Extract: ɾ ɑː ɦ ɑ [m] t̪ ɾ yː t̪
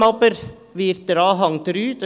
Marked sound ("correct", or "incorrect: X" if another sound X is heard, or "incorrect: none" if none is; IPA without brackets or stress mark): incorrect: ŋ